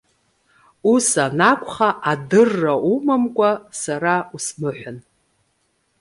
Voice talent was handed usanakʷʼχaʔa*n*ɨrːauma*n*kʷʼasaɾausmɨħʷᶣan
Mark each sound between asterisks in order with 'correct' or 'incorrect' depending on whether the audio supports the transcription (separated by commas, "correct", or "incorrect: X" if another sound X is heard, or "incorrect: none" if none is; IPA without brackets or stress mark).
incorrect: d, incorrect: m